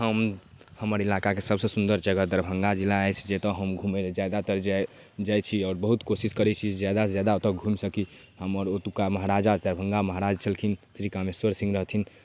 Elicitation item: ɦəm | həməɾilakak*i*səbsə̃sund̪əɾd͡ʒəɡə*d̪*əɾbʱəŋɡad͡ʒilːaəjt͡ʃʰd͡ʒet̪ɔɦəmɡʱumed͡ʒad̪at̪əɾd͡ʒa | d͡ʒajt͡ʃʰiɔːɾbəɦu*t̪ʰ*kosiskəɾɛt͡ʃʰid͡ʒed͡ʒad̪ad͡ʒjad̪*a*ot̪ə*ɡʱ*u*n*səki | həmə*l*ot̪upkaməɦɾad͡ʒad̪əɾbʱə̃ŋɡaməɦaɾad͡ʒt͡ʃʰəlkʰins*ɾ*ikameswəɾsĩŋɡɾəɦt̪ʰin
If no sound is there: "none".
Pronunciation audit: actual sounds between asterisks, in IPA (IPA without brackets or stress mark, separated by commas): e, d̪, t̪, a, ɡʱ, m, ɾ, ɾ